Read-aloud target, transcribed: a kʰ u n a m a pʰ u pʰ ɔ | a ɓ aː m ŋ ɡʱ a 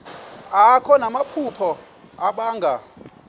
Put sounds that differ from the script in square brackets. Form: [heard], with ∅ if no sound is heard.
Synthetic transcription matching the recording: a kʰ [ɔ] n a m a pʰ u pʰ ɔ | a ɓ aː [∅] ŋ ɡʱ a